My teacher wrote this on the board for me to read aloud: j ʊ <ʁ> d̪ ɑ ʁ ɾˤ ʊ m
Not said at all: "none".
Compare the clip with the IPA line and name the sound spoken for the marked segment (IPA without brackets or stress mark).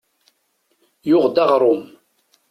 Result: ʁ